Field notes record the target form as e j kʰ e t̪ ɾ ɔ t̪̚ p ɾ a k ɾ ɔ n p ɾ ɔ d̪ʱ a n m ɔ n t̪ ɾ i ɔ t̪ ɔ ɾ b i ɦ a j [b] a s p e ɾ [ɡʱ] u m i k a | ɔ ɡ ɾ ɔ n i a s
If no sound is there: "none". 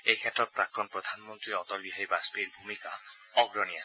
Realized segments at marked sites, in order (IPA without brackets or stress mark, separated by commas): b, bʱ